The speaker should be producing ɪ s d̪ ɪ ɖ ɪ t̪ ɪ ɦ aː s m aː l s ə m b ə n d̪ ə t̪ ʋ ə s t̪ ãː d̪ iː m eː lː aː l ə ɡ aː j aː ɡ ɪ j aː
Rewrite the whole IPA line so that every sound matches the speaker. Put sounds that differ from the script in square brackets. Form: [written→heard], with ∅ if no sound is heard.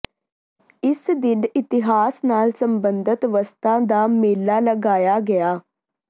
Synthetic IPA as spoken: ɪ s d̪ ɪ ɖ ɪ t̪ ɪ ɦ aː s [m→n] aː l s ə m b ə n d̪ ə t̪ ʋ ə s t̪ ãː d̪ [iː→aː] m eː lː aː l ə ɡ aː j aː ɡ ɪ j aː